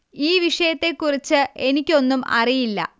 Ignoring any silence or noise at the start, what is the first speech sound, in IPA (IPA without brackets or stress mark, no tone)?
iː